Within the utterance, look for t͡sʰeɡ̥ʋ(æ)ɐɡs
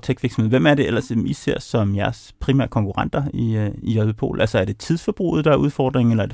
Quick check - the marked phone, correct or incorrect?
incorrect